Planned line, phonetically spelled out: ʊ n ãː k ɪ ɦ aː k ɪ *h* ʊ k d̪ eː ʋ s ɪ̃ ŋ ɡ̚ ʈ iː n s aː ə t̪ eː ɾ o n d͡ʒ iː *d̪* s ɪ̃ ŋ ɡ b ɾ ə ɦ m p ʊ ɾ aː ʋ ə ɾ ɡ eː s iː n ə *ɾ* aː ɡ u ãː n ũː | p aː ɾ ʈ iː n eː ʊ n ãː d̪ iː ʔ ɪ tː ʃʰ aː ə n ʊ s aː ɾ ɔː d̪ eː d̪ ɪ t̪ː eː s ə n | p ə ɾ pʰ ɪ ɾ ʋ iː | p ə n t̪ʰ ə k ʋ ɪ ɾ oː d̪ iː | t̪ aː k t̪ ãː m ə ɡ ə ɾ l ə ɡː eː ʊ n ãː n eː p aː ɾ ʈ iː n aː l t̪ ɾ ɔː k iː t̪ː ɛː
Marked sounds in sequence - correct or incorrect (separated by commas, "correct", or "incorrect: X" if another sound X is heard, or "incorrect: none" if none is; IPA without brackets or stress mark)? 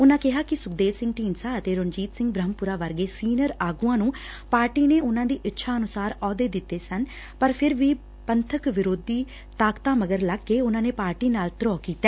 incorrect: s, incorrect: t̪, correct